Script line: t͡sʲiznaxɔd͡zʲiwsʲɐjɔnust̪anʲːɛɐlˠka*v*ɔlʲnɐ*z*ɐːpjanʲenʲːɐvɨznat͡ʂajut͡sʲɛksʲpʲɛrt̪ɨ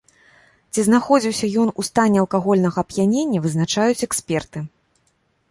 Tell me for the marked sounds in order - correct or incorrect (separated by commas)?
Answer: incorrect, incorrect